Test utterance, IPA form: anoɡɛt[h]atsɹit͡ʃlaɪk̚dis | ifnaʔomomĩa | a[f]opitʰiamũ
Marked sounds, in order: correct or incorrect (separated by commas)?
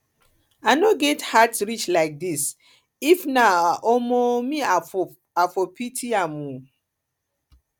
correct, correct